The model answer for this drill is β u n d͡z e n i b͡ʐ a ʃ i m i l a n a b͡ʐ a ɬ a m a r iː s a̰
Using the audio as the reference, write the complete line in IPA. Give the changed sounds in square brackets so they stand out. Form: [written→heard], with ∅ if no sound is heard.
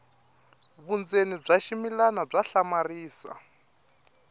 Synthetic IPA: β u n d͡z e n i b͡ʐ a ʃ i m i l a n a b͡ʐ a ɬ a m a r iː s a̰